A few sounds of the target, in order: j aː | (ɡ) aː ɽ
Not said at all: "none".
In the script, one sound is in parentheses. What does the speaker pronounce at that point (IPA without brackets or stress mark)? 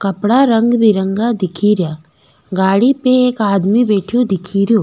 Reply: ɡ